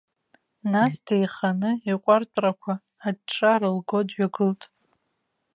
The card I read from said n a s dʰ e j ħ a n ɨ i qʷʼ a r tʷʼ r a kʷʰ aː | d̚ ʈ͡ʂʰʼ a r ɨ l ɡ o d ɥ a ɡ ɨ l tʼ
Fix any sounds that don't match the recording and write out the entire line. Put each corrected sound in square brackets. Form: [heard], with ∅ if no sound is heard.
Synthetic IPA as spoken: n a s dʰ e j [χ] a n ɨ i qʷʼ a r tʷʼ r a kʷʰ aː | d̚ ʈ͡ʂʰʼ a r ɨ l ɡ o d ɥ a ɡ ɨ l tʼ